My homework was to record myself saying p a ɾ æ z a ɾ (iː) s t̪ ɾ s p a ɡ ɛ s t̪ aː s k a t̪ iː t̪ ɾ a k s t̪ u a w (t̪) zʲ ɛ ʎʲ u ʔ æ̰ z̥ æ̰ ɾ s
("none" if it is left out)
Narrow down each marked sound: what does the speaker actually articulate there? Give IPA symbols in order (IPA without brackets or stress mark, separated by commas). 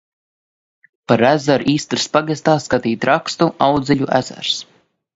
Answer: iː, d̪